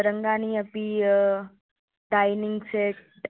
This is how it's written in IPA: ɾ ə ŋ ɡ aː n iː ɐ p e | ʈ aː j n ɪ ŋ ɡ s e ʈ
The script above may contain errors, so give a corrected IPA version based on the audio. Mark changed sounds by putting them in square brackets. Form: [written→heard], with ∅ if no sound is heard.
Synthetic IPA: ɾ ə ŋ ɡ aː n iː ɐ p [e→i] | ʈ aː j n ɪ ŋ ɡ s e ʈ

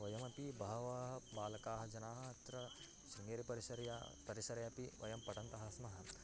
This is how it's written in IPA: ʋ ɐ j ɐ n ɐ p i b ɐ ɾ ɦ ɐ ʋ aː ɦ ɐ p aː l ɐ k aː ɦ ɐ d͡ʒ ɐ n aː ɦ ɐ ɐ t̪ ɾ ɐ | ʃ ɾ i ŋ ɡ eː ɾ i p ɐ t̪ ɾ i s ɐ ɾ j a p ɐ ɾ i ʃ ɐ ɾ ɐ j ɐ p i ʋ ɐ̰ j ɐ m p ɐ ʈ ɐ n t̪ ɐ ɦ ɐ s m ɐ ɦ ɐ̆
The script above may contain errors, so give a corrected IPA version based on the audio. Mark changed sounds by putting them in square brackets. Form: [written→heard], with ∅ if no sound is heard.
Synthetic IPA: ʋ ɐ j ɐ [n→m] ɐ p i b ɐ [ɾ→∅] ɦ ɐ ʋ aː ɦ ɐ [p→b] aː l ɐ k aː ɦ ɐ d͡ʒ ɐ n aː ɦ ɐ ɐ t̪ ɾ ɐ | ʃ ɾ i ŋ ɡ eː ɾ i p ɐ [t̪→∅] ɾ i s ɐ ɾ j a p ɐ ɾ i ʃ ɐ ɾ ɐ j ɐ p i ʋ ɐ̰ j ɐ m p ɐ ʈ ɐ n t̪ ɐ ɦ ɐ s m ɐ ɦ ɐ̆

